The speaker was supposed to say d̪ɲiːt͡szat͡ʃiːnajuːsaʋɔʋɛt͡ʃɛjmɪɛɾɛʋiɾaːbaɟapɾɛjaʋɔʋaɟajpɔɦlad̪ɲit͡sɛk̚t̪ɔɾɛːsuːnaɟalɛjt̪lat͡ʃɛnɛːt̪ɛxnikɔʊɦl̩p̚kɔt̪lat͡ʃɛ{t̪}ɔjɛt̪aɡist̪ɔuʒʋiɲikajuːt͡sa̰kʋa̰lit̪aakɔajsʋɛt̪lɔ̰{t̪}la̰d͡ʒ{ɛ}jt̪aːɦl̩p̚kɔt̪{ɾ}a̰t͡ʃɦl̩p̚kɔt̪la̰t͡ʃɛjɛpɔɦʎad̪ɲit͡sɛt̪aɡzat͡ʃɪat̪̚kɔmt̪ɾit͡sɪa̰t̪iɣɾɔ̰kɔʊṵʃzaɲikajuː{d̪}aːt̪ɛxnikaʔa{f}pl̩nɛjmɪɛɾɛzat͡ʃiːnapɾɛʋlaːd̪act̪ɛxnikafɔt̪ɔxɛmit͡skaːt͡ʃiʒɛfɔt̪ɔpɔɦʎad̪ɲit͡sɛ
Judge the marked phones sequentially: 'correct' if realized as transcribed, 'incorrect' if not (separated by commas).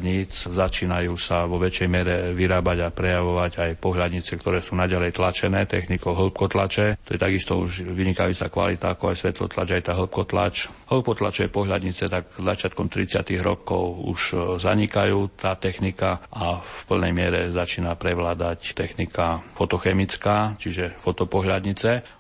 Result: correct, correct, incorrect, incorrect, incorrect, correct